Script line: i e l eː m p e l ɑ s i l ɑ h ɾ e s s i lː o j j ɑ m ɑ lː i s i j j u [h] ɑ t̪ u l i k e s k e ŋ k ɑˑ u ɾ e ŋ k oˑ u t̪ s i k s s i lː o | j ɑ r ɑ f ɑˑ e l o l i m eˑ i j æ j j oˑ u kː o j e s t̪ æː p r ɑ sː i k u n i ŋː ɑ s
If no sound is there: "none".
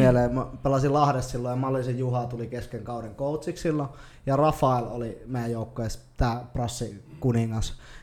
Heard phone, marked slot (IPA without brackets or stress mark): h